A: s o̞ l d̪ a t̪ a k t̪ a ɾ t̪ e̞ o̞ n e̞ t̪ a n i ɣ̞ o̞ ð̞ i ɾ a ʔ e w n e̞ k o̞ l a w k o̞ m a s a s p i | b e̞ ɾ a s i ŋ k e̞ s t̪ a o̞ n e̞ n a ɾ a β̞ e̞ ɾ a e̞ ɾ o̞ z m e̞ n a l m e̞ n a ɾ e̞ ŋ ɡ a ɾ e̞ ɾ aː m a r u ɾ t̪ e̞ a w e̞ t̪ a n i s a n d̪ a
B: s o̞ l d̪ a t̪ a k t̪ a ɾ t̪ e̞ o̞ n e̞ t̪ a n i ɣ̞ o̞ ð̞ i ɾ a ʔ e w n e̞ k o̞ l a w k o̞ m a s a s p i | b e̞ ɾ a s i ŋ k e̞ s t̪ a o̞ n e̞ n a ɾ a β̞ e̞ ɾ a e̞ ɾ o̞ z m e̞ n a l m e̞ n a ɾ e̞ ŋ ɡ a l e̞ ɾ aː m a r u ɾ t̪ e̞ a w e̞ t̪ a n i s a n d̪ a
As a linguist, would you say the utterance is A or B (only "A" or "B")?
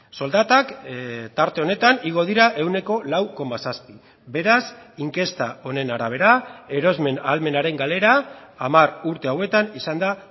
B